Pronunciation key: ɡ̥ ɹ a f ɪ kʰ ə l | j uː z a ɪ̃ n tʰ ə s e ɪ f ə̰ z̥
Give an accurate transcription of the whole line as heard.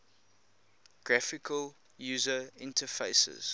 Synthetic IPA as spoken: ɡ̥ ɹ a f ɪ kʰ ə l | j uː z ə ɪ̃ n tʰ ə f e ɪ s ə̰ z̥